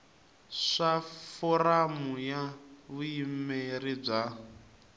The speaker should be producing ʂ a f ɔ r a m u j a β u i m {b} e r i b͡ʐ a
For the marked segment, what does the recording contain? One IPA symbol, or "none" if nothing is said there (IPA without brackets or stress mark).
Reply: m